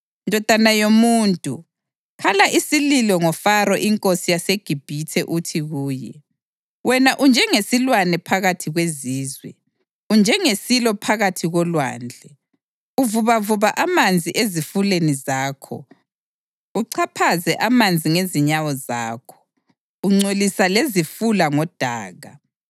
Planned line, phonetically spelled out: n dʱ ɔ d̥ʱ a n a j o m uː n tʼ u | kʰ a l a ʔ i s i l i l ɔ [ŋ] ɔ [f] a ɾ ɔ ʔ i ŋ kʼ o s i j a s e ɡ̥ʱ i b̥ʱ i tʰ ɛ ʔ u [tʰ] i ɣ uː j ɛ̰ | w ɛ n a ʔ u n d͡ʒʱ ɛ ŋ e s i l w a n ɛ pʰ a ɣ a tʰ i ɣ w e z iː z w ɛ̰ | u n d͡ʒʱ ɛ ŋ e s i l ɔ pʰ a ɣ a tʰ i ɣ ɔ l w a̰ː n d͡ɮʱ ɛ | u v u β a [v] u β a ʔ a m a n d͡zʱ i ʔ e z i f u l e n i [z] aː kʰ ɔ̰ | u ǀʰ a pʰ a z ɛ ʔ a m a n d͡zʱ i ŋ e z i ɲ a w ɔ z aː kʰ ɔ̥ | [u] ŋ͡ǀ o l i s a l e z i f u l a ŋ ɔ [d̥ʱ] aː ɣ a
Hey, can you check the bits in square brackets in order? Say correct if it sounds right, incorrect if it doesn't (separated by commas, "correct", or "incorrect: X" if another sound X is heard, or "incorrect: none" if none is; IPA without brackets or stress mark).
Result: correct, correct, correct, correct, correct, correct, correct